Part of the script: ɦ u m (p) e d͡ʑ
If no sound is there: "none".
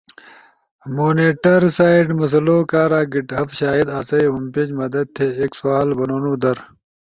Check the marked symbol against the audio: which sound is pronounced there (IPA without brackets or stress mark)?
p